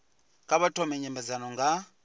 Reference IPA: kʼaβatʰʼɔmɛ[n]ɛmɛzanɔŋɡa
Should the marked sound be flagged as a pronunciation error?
yes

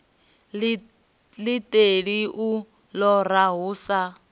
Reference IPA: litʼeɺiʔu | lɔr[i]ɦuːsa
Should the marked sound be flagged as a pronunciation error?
yes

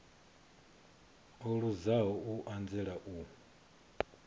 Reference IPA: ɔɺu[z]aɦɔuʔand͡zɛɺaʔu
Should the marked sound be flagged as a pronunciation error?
no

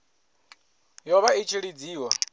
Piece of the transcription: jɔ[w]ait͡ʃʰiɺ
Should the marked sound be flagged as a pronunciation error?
yes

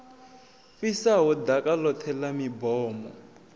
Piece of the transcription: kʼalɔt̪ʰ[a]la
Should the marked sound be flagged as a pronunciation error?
yes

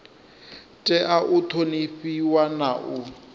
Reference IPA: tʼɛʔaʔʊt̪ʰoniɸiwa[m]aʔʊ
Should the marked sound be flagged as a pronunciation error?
yes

